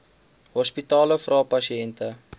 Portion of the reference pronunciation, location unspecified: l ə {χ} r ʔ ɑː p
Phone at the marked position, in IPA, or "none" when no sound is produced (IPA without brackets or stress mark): f